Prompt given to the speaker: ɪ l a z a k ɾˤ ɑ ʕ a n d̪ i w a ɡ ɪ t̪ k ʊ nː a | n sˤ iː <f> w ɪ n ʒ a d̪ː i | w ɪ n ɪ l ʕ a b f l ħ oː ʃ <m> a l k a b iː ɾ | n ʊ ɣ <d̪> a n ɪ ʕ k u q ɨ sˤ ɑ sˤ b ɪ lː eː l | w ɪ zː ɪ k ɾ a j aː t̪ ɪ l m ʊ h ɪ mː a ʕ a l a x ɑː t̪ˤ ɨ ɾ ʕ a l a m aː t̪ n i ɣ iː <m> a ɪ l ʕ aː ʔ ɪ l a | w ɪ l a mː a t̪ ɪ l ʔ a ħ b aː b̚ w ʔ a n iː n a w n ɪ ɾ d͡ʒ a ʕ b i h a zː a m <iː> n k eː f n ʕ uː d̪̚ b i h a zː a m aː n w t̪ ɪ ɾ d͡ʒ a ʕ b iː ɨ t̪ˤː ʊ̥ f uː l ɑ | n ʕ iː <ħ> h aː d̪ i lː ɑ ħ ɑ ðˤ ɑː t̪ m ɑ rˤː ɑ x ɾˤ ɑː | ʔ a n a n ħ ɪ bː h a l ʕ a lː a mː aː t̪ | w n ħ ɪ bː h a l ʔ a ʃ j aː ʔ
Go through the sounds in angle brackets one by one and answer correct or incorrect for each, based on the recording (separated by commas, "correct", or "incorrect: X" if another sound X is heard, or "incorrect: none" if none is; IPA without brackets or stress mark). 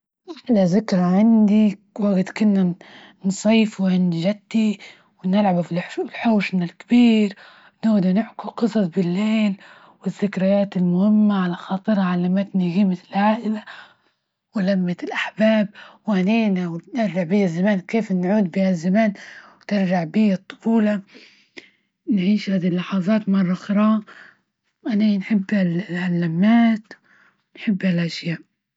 correct, incorrect: n, correct, correct, incorrect: aː, incorrect: ʃ